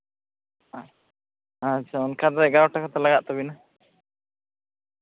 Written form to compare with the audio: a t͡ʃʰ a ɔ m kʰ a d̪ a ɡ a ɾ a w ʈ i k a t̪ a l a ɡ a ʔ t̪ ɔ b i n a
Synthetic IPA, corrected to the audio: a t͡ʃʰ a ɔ n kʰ a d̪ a ɡ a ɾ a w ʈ a k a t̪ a l a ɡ a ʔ t̪ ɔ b i n a